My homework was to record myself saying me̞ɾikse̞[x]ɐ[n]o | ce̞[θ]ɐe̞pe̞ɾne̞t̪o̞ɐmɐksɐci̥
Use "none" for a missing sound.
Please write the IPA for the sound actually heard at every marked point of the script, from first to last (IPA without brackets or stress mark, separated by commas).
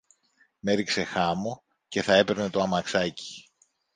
x, m, θ